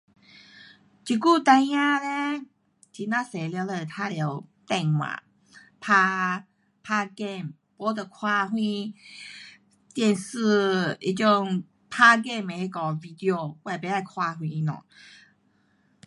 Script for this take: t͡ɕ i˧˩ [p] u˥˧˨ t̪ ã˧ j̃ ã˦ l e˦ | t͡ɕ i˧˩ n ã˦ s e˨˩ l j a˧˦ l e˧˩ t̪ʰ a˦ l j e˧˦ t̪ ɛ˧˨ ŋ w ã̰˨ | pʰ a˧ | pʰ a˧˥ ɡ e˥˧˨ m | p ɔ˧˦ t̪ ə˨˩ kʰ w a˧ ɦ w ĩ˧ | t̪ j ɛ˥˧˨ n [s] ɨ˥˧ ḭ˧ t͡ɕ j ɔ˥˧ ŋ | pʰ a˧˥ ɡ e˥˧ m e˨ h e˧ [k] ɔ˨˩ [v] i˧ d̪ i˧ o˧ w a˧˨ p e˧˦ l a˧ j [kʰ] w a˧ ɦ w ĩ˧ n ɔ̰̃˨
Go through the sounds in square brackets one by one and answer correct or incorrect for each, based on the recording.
incorrect, correct, correct, correct, correct

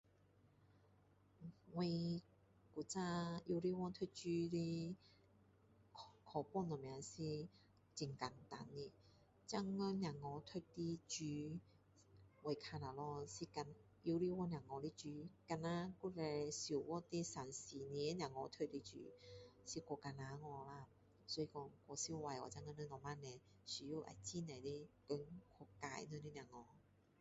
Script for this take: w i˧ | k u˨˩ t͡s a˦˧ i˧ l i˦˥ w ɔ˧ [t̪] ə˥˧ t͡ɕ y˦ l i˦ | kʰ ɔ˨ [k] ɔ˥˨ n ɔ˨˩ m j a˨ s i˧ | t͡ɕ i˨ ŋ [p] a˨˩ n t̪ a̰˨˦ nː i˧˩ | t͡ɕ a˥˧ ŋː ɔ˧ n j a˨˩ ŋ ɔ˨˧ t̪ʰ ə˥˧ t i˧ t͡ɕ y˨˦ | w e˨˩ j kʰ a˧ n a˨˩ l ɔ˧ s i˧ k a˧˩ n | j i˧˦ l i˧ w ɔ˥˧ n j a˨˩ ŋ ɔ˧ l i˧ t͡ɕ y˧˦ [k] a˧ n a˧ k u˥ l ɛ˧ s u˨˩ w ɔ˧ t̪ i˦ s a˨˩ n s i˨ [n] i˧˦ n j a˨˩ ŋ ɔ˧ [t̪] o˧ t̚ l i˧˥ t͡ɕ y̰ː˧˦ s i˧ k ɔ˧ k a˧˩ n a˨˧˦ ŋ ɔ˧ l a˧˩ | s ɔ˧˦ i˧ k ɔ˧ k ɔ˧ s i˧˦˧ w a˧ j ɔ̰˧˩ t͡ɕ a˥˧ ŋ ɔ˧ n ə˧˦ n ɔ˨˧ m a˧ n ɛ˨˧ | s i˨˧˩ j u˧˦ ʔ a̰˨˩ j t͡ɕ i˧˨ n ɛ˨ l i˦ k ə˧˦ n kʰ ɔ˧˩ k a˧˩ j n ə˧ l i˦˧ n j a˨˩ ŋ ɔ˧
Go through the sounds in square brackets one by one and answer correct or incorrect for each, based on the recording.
incorrect, incorrect, incorrect, correct, correct, incorrect

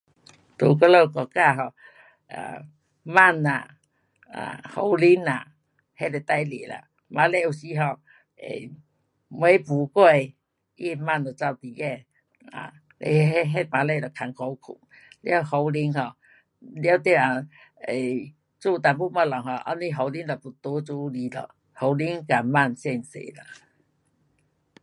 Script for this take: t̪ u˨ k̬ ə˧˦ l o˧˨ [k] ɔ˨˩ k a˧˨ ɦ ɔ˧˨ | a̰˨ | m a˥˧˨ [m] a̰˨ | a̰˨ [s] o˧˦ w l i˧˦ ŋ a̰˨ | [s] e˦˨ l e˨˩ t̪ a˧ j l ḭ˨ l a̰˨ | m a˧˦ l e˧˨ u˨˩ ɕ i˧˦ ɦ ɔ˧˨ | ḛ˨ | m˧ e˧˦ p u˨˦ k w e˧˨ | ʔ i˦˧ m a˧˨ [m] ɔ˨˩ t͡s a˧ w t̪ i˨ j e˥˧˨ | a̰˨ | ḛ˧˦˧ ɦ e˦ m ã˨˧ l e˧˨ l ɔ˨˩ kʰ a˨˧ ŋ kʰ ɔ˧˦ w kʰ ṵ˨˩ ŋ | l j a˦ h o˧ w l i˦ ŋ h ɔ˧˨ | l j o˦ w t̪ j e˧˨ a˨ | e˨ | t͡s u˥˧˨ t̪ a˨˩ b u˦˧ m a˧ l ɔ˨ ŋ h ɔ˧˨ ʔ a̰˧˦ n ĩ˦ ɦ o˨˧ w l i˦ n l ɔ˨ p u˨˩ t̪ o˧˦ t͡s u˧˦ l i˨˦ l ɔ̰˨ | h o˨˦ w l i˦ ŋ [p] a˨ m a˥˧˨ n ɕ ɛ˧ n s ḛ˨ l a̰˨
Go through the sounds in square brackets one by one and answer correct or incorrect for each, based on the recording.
correct, incorrect, incorrect, incorrect, incorrect, incorrect

